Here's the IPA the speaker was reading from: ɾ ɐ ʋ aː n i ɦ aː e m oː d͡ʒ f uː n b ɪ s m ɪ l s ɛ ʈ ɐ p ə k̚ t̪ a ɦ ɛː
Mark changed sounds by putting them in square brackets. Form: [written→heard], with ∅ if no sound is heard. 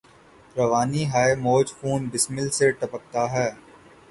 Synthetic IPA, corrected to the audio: ɾ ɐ ʋ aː n i ɦ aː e m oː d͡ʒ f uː n b ɪ s m ɪ l s [ɛ→e] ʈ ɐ p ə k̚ t̪ a ɦ ɛː